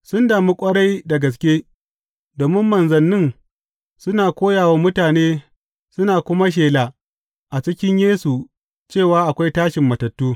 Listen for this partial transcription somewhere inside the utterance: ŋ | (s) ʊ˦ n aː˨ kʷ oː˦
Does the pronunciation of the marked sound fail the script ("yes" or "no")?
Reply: no